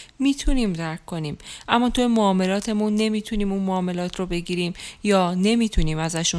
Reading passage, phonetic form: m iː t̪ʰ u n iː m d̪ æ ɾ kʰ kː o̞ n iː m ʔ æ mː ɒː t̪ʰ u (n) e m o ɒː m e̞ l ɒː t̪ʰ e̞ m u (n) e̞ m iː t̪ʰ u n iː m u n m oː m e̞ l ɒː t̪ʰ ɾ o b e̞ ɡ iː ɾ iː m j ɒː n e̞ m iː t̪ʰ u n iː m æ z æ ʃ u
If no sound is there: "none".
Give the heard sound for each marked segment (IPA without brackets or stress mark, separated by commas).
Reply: none, nː